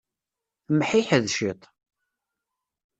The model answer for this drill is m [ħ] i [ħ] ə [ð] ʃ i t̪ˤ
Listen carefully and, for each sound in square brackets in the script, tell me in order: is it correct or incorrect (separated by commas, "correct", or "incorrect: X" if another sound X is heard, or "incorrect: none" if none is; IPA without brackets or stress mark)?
correct, correct, correct